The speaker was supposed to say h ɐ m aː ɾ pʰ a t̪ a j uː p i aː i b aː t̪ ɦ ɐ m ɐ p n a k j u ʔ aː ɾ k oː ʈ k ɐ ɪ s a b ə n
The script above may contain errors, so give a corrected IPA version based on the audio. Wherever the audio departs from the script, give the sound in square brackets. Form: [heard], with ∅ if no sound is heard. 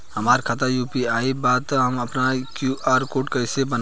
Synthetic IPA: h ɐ m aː ɾ [kʰ] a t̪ a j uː p i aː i b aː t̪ ɦ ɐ m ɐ p n a k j u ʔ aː ɾ k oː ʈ k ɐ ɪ s [e] b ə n